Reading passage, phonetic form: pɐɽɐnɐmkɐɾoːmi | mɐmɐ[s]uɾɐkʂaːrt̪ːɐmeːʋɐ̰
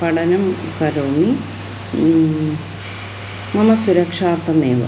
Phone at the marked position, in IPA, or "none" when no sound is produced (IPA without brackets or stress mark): s